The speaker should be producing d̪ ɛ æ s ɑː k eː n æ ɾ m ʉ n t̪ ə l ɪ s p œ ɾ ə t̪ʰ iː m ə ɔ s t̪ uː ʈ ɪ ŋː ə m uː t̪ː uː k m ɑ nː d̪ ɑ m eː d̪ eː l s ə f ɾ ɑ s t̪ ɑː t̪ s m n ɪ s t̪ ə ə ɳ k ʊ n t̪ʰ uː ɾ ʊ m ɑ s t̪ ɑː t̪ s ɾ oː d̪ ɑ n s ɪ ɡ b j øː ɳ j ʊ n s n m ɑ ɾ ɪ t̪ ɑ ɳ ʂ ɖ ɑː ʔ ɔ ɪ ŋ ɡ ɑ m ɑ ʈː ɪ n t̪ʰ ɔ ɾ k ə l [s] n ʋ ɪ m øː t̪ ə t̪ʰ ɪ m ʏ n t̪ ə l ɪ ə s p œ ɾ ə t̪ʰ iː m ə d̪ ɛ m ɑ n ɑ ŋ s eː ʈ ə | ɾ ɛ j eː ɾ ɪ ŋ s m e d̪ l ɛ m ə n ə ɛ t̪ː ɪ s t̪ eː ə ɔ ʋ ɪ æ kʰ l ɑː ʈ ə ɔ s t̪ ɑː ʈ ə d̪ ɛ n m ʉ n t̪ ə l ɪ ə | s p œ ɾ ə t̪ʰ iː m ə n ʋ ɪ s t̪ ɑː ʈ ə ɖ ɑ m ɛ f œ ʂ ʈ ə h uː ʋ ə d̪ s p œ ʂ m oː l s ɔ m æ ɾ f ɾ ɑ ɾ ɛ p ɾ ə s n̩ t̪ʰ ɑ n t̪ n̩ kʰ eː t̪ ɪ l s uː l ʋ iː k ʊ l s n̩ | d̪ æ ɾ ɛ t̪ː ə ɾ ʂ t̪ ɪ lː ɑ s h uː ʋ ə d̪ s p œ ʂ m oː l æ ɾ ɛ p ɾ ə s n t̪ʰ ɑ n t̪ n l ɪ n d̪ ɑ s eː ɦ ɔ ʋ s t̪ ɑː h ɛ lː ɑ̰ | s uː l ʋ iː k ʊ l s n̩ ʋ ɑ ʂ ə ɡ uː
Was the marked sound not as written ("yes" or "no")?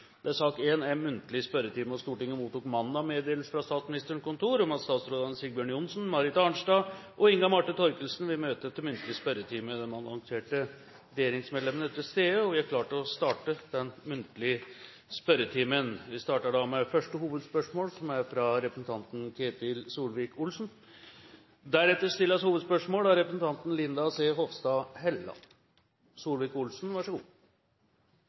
no